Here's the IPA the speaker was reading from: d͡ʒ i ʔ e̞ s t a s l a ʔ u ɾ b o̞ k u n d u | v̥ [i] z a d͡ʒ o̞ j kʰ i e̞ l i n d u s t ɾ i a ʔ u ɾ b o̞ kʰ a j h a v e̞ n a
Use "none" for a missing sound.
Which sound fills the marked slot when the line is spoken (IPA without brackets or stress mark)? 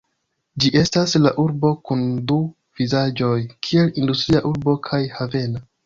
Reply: i